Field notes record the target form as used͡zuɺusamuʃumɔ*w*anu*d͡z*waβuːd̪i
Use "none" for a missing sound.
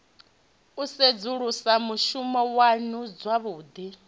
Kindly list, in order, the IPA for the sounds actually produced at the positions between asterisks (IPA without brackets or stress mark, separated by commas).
w, d͡z